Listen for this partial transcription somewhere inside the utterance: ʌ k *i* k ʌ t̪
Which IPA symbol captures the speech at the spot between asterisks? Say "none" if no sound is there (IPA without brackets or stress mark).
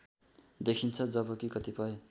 i